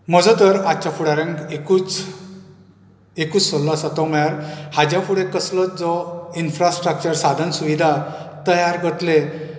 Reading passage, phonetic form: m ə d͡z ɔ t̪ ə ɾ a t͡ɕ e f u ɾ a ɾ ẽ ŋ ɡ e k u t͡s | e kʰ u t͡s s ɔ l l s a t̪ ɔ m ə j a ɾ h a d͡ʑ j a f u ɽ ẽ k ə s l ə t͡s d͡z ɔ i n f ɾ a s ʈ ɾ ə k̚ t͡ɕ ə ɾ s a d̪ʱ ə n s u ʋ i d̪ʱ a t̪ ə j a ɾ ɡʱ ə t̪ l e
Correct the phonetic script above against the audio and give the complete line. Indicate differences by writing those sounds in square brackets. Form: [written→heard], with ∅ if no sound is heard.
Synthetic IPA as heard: m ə d͡z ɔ t̪ ə ɾ a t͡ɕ [e→a] f u [ɾ→ɽ] a ɾ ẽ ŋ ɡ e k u t͡s | e [kʰ→k] u t͡s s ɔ l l s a t̪ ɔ m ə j a ɾ h a d͡ʑ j a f u ɽ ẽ k ə s l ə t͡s d͡z ɔ i n f ɾ a s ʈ ɾ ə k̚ t͡ɕ ə ɾ s a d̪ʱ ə n s u ʋ i d̪ʱ a t̪ ə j a ɾ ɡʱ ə t̪ l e